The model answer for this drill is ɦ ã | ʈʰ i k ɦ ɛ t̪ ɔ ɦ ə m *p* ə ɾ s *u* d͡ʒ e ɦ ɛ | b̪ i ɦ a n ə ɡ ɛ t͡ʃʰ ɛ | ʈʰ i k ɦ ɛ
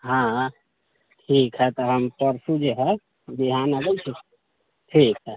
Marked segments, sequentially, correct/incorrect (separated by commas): correct, correct